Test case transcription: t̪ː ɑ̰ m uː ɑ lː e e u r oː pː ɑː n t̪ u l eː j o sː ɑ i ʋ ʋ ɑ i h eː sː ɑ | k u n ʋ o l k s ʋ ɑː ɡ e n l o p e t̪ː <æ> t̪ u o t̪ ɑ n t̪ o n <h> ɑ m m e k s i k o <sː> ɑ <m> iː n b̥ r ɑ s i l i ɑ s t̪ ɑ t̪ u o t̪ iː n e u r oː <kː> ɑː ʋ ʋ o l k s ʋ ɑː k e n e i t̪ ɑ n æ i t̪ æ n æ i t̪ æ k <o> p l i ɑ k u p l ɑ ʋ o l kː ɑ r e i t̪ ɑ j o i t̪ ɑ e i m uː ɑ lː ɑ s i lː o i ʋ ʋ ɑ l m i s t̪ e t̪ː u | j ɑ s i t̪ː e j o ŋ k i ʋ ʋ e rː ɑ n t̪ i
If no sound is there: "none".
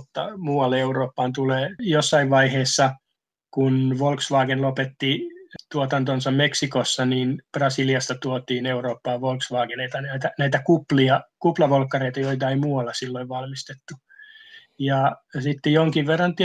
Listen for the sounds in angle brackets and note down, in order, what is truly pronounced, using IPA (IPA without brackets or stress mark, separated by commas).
i, s, sː, n, pː, u